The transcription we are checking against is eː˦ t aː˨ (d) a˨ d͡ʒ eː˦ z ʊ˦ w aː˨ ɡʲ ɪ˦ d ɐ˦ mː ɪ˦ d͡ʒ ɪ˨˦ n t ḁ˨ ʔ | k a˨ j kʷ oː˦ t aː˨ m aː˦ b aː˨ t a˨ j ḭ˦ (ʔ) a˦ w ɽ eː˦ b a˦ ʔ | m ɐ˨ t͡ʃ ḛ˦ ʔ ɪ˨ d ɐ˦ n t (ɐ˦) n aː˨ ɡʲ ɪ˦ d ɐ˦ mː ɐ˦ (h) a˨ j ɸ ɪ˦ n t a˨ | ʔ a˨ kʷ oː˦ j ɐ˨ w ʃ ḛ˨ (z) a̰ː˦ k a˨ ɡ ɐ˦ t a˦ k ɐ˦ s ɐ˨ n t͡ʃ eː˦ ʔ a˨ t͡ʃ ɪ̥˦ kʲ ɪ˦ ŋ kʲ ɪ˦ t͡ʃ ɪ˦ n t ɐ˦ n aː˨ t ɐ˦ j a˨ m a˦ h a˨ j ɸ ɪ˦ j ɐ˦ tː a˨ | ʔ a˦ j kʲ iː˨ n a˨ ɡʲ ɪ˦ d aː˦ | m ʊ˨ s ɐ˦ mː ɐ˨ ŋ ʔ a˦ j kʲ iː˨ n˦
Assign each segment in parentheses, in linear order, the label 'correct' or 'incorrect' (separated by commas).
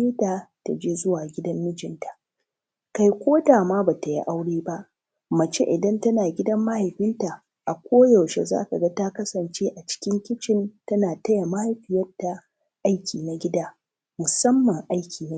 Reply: incorrect, correct, correct, correct, correct